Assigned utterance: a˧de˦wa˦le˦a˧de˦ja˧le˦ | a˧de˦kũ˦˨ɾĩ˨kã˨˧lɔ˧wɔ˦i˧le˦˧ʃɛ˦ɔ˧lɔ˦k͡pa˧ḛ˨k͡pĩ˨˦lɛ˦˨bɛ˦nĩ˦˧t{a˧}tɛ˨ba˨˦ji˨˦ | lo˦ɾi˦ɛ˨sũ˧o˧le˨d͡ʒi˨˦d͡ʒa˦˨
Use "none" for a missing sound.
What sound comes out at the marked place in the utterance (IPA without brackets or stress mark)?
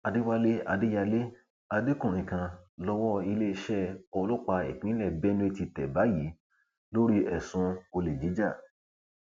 i˧